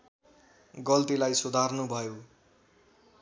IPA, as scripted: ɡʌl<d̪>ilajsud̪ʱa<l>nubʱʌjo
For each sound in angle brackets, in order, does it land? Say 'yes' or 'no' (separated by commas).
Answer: no, no